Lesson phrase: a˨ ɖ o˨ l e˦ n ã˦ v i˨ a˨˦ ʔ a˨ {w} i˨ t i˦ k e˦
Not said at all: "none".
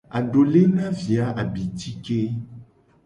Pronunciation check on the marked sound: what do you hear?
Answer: b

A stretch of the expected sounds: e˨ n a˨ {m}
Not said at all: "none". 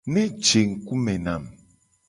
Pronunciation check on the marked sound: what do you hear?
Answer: m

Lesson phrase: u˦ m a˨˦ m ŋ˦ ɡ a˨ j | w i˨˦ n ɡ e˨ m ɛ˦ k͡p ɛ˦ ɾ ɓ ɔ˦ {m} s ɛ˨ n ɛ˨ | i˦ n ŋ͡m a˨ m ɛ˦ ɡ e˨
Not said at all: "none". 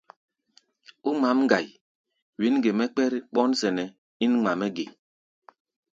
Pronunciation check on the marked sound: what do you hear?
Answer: n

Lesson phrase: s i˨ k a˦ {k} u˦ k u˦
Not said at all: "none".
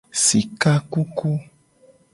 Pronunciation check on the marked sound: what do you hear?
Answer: k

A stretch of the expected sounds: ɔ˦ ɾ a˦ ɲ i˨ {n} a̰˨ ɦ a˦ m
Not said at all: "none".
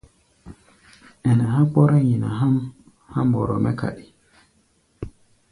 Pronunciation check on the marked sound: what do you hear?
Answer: n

